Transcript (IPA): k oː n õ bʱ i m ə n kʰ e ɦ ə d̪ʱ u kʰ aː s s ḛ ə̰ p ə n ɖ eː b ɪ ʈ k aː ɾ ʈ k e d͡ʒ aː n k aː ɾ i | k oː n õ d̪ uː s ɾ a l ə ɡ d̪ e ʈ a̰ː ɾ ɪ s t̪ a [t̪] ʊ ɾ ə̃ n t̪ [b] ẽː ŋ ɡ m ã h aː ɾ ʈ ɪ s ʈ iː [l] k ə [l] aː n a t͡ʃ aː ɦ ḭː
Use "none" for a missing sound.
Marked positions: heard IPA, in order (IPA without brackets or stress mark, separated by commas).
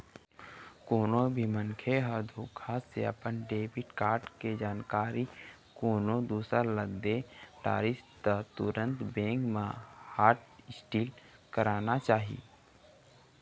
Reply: t̪, b, l, ɾ